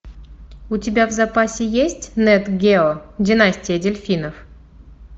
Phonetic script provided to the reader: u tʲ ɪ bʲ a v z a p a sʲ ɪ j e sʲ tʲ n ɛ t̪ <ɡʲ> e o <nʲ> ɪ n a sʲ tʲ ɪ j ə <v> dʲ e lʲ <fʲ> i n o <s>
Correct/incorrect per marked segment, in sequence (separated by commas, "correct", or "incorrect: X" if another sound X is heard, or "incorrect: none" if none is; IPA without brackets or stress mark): correct, incorrect: dʲ, incorrect: none, correct, incorrect: f